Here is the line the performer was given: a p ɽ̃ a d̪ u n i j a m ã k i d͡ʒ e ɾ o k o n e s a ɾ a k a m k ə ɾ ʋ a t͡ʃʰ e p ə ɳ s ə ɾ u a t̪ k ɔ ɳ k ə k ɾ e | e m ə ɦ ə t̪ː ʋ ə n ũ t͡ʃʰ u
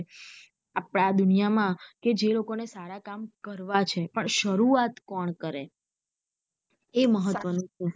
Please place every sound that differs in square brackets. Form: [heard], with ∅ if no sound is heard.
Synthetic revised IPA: a p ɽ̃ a d̪ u n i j a m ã k [e] d͡ʒ e [l] o k o n e s a ɾ a k a m k ə ɾ ʋ a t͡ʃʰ e p ə ɳ [ʃ] ə ɾ u a t̪ k ɔ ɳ k ə [∅] ɾ e | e m ə ɦ ə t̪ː ʋ ə n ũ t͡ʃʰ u

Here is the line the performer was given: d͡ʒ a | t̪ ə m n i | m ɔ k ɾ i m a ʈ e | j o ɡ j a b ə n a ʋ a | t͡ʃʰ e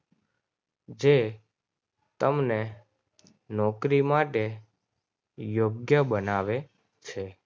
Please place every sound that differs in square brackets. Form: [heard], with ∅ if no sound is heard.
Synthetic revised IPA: d͡ʒ [e] | t̪ ə m n [e] | [n] ɔ k ɾ i m a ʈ e | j o ɡ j [ə] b ə n a ʋ [e] | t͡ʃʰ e

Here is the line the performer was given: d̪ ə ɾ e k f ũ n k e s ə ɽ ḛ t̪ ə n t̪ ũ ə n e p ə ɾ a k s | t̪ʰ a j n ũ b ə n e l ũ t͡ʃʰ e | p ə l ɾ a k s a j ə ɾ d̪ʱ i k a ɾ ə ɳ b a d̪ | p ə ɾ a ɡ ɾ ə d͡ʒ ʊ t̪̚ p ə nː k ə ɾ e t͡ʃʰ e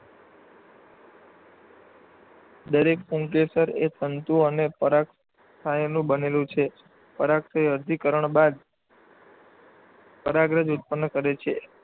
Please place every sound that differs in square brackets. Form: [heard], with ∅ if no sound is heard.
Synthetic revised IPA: d̪ ə ɾ e k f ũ [ŋ] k e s ə [ɾ] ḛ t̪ ə n t̪ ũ ə n e p ə ɾ a k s | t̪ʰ a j n ũ b ə n e l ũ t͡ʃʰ e | p ə [∅] ɾ a k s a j ə ɾ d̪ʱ i k [ə] ɾ ə ɳ b a d̪ | p ə ɾ a ɡ ɾ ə d͡ʒ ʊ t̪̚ p ə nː k ə ɾ e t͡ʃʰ e

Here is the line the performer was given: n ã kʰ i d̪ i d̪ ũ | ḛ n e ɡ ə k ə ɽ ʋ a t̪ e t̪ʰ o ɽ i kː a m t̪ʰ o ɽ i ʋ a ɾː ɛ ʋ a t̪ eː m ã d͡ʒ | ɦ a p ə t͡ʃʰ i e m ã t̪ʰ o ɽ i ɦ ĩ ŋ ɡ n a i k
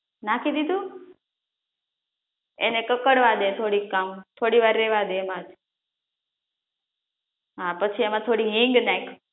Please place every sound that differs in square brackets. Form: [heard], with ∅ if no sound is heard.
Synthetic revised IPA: n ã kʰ i d̪ i d̪ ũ | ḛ n e [k] ə k ə ɽ ʋ a [d̪] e t̪ʰ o ɽ i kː a m t̪ʰ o ɽ i ʋ a ɾː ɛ ʋ a [d̪] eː m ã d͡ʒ | ɦ a p ə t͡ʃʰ i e m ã t̪ʰ o ɽ i ɦ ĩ ŋ ɡ n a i k

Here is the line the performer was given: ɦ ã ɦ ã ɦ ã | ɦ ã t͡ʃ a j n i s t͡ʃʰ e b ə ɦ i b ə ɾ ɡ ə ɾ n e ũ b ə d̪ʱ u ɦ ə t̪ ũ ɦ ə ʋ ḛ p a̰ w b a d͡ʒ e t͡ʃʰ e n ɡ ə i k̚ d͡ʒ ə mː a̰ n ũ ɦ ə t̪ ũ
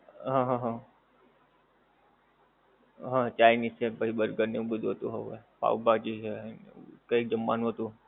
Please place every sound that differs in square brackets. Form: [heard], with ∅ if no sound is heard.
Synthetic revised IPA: ɦ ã ɦ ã ɦ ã | ɦ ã t͡ʃ a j n i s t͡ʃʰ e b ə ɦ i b ə ɾ ɡ ə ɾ n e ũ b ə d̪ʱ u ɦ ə t̪ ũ ɦ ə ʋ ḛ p a̰ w b a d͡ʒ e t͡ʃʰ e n [k] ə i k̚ d͡ʒ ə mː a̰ n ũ ɦ ə t̪ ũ

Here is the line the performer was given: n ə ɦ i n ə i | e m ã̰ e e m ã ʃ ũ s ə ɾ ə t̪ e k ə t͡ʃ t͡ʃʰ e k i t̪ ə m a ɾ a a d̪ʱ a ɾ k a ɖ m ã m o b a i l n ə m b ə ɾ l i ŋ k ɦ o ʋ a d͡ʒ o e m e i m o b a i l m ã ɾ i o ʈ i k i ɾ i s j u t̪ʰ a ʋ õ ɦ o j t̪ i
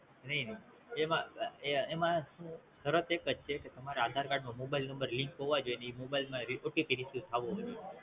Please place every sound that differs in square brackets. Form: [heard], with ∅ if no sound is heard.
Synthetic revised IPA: n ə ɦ i n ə i | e m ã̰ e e m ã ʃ ũ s ə ɾ ə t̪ e k ə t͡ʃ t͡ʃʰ e k [e] t̪ ə m a ɾ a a d̪ʱ a ɾ k a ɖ m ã m o b a i l n ə m b ə ɾ l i ŋ k ɦ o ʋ a d͡ʒ o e [n] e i m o b a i l m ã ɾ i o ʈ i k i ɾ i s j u t̪ʰ a ʋ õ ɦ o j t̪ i

